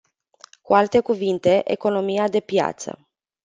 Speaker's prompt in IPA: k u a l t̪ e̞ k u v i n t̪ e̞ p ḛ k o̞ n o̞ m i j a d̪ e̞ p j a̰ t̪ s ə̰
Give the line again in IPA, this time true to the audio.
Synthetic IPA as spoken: k u a l t̪ e̞ k u v i n t̪ e̞ ʔ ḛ k o̞ n o̞ m i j a d̪ e̞ p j a̰ t̪ s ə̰